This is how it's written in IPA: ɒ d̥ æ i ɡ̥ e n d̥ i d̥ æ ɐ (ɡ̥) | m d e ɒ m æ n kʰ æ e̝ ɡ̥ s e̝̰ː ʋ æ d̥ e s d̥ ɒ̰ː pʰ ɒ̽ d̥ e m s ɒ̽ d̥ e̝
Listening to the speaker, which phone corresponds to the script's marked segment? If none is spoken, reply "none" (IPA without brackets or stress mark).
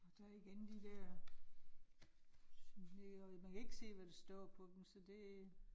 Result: none